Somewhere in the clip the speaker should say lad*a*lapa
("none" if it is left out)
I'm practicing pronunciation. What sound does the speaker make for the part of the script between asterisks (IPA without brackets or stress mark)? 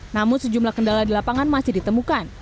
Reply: i